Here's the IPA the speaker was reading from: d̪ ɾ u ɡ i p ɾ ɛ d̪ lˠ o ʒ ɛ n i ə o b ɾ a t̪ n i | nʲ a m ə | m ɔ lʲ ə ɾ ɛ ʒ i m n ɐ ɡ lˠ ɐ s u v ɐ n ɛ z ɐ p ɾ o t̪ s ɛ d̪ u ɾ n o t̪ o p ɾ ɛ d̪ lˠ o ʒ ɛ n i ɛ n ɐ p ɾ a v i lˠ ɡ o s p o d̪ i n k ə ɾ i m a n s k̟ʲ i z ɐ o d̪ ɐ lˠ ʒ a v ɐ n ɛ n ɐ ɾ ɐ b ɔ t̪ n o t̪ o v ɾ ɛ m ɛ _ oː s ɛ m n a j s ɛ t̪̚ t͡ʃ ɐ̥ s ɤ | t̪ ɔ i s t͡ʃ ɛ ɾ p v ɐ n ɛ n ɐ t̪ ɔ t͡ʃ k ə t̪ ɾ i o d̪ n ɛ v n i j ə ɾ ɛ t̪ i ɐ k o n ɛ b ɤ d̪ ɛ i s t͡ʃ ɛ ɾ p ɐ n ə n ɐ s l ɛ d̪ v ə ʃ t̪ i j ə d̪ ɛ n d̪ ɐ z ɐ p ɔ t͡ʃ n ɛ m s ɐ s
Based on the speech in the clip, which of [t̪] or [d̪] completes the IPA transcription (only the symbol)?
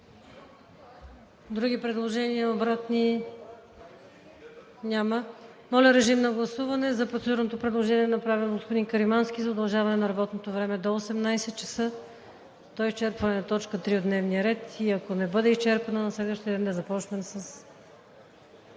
d̪